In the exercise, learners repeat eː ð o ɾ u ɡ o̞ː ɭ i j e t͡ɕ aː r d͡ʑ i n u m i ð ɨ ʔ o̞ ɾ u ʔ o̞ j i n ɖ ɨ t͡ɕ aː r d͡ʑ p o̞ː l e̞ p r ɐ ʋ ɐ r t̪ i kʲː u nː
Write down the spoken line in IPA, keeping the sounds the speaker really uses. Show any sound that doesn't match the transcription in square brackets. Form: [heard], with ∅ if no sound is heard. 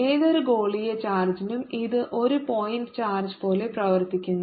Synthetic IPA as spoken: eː ð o ɾ u ɡ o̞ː ɭ i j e t͡ɕ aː r d͡ʑ i n u m i ð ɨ ʔ o̞ ɾ u [p] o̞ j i n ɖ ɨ t͡ɕ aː r d͡ʑ p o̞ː l e̞ p r ɐ ʋ ɐ r t̪ i kʲː u nː